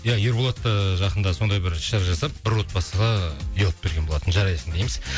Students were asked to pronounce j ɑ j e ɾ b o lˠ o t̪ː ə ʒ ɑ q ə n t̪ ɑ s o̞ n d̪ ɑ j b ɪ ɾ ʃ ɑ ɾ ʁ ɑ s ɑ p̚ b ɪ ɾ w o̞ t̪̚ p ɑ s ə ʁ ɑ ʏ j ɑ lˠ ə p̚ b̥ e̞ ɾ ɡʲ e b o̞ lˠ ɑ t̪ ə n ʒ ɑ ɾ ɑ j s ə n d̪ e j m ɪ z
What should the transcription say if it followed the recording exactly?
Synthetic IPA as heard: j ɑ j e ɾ b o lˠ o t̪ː ə ʒ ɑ q ə n d̪ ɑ s o̞ n d̪ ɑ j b ɪ ɾ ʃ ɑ ɾ ʒ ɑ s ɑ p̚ b ɪ ɾ w o̞ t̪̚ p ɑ s ə ʁ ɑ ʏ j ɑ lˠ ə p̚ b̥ e̞ ɾ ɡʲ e b o̞ lˠ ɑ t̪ ə n ʒ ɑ ɾ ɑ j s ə n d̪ e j m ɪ z